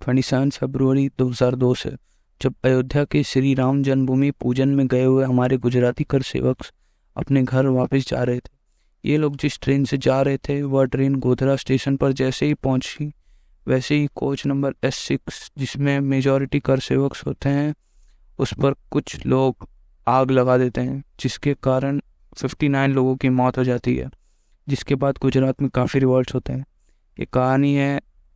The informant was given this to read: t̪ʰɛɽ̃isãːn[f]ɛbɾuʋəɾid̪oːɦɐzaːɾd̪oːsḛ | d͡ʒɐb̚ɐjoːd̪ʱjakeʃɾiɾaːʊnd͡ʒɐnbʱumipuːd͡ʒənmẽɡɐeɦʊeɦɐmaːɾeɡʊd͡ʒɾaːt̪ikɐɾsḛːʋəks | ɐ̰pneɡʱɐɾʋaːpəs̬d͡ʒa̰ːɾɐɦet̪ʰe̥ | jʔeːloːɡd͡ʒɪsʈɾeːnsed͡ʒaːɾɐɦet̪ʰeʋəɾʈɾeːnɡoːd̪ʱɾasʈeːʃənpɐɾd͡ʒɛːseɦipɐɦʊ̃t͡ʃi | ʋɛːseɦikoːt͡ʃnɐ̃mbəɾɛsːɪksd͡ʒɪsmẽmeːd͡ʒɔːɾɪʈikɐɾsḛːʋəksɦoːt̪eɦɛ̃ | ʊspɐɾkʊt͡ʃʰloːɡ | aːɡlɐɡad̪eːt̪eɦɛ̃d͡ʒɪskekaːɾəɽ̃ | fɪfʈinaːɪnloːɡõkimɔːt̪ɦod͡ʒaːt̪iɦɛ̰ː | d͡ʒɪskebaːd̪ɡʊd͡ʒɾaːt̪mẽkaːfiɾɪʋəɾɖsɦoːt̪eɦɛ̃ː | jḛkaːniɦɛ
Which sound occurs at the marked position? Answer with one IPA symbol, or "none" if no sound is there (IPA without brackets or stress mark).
f